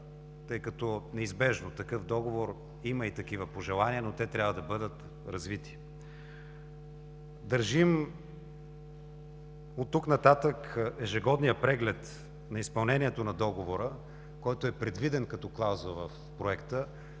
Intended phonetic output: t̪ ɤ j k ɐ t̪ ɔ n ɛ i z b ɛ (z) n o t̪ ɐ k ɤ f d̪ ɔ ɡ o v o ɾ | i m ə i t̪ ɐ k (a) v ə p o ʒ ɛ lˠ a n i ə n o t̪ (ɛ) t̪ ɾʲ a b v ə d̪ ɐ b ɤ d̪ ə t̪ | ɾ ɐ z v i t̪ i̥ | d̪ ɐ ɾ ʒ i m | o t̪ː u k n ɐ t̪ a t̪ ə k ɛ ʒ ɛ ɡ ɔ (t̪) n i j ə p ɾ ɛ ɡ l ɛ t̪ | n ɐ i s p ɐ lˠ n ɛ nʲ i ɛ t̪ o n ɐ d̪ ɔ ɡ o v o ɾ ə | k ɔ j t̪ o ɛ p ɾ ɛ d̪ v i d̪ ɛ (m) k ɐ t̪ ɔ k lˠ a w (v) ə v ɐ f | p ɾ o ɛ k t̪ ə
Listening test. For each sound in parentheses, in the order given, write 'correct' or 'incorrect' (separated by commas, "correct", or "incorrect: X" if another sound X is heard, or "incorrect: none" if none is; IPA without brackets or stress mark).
incorrect: ʒ, incorrect: i, correct, incorrect: d̪, incorrect: n, incorrect: z